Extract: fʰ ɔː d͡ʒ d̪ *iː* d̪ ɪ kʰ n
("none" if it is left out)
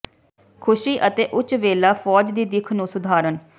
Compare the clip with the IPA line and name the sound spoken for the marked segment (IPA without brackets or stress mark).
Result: iː